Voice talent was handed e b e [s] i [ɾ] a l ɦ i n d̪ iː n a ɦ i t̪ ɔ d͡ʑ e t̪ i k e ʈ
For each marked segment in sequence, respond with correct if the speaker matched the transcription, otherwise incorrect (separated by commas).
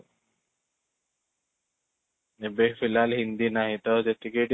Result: incorrect, incorrect